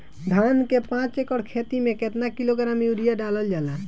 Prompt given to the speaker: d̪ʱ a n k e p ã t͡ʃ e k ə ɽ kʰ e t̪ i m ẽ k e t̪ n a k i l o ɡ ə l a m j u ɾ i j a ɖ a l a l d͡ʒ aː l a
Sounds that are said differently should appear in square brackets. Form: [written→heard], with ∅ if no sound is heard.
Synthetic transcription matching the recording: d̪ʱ a n k e p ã t͡ʃ e k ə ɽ kʰ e t̪ i m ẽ k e t̪ n a k i l o ɡ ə [l→ɾ] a m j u ɾ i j a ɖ a l [a→ə] l d͡ʒ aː l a